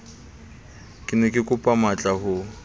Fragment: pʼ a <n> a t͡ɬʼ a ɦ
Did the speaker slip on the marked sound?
yes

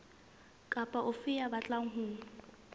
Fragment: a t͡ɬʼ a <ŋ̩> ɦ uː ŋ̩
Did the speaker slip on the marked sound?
no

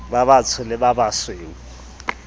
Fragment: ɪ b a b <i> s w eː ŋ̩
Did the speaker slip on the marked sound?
yes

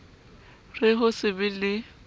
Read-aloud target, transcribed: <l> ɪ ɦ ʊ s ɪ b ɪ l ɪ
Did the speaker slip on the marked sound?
yes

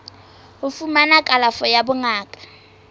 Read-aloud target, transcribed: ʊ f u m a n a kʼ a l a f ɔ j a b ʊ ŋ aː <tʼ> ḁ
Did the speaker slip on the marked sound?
yes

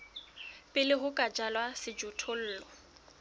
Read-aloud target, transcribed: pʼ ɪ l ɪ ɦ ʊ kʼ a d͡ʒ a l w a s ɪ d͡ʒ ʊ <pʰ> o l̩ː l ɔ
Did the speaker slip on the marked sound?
yes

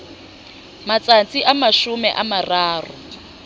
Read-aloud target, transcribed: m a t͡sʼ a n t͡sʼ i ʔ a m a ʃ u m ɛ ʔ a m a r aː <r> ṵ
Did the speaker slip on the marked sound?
no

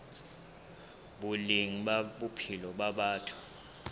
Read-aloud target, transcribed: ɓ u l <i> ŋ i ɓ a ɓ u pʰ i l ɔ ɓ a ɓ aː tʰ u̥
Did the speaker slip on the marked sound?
no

